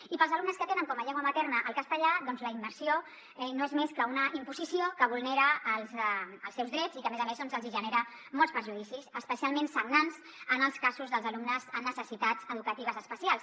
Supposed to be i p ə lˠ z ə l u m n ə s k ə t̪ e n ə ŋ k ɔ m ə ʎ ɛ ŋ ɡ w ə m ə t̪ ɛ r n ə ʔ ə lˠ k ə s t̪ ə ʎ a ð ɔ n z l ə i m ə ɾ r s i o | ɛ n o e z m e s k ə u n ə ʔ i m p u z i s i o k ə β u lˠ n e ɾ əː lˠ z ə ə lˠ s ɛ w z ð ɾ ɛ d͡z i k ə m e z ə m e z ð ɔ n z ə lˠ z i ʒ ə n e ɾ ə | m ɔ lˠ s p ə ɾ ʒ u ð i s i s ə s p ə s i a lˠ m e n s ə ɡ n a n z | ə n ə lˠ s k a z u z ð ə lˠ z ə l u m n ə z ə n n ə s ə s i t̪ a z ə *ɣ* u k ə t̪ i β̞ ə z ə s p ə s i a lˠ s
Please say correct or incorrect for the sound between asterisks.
incorrect: ð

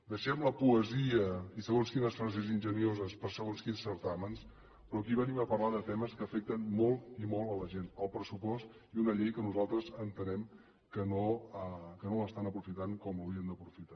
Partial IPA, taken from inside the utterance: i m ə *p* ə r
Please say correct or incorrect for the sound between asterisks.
correct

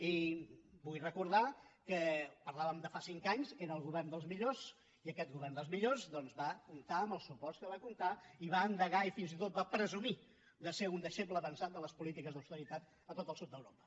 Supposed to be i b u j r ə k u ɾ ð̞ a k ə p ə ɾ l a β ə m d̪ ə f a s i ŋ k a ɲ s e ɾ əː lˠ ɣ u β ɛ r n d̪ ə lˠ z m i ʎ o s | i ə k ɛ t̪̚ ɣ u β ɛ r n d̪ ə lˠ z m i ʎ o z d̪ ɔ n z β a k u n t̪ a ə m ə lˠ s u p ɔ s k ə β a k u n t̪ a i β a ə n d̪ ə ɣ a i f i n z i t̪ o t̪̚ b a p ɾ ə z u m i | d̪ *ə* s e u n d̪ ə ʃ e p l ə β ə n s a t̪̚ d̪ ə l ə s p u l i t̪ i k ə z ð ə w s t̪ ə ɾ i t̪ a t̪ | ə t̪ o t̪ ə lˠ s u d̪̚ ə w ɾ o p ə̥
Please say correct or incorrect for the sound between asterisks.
correct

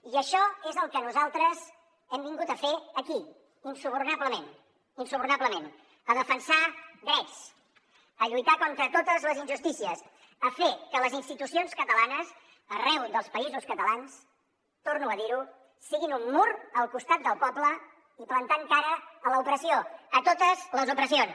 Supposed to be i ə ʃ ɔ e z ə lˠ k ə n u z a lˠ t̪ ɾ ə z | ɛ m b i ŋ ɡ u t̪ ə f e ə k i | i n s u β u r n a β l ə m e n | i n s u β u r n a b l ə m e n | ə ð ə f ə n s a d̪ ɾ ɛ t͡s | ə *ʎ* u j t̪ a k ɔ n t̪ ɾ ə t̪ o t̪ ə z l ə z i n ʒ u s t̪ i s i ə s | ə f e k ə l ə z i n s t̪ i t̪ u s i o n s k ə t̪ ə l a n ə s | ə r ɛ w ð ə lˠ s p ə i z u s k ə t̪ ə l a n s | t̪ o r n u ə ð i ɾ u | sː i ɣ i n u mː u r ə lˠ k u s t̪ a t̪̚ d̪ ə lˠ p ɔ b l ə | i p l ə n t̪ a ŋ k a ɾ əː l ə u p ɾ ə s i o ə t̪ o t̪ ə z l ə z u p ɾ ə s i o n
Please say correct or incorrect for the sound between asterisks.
correct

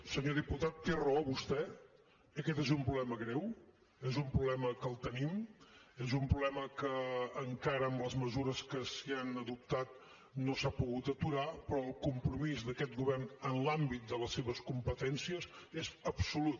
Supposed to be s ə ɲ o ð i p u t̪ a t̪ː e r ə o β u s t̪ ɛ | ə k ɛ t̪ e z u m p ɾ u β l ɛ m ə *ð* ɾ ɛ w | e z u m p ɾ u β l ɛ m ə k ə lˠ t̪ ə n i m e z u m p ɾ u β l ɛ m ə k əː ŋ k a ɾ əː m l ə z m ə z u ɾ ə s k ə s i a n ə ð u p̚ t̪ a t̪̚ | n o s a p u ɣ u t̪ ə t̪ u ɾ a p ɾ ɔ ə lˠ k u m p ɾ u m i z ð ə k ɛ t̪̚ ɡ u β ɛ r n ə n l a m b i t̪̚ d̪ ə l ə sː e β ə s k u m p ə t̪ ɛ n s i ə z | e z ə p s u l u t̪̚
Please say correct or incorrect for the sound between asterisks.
incorrect: ɣ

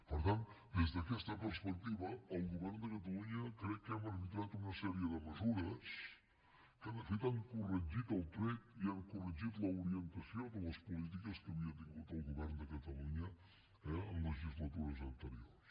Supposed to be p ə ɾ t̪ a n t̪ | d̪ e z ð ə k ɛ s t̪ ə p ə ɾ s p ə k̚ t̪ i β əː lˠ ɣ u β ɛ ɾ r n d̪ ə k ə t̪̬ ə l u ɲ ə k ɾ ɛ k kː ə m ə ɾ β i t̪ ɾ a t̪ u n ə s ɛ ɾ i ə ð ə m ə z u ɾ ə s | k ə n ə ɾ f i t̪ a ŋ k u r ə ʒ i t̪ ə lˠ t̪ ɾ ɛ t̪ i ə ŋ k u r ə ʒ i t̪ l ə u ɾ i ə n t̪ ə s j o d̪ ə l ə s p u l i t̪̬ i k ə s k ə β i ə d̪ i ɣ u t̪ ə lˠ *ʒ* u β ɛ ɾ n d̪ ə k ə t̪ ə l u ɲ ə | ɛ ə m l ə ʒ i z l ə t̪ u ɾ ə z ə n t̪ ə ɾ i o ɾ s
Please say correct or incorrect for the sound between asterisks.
incorrect: ɣ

